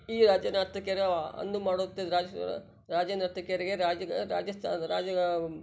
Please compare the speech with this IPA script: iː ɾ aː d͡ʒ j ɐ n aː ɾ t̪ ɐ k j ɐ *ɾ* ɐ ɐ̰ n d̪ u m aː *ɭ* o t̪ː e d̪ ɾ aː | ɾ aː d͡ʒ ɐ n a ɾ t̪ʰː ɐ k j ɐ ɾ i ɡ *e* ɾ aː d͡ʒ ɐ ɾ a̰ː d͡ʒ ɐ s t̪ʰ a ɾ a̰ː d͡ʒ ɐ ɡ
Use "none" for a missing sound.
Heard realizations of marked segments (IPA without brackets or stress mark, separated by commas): ɾ, ɽ, e